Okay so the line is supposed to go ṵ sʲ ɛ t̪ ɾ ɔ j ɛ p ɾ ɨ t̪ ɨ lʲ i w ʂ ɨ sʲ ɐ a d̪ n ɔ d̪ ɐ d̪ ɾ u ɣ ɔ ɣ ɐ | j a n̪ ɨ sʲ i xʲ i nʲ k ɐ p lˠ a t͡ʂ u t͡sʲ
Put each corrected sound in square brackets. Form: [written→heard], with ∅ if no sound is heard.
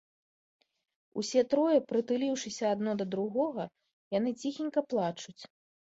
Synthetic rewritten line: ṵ sʲ ɛ t̪ ɾ ɔ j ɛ p ɾ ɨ t̪ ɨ lʲ i w ʂ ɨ sʲ ɐ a d̪ n ɔ d̪ ɐ d̪ ɾ u ɣ ɔ ɣ ɐ | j a n̪ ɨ [sʲ→t͡sʲ] i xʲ i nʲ k ɐ p lˠ a t͡ʂ u t͡sʲ